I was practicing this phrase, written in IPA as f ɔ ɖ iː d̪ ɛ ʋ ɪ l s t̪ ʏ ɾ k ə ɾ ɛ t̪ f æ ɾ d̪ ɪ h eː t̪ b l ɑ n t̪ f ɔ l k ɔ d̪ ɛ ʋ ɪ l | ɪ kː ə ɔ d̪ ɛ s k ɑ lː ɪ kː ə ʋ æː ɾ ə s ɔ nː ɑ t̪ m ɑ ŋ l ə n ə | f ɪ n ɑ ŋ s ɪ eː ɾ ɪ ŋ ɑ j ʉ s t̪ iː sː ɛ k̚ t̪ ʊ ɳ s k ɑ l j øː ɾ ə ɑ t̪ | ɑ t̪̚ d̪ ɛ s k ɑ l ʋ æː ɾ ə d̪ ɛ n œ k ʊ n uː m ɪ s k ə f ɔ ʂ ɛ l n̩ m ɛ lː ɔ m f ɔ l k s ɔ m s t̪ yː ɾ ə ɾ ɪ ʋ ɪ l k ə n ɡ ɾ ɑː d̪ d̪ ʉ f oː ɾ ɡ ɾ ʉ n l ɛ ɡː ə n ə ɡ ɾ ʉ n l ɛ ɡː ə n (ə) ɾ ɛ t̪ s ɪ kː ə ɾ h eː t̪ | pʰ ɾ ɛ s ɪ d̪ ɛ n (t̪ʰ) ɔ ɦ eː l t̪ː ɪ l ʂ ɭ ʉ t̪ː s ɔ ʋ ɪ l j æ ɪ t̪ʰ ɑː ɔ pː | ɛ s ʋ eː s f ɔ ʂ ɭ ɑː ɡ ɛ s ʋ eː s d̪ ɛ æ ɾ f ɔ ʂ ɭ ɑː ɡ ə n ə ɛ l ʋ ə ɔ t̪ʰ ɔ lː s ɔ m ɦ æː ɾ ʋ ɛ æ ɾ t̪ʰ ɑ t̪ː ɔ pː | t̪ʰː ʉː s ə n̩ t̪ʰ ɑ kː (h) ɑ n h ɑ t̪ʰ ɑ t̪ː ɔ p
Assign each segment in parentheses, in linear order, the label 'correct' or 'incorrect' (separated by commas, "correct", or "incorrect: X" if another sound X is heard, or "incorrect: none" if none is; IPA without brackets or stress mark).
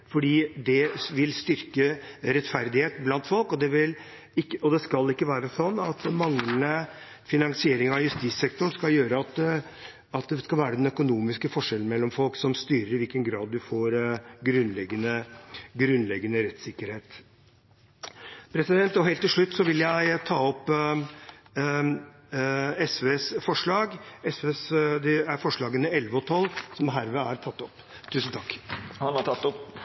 correct, incorrect: t̪, correct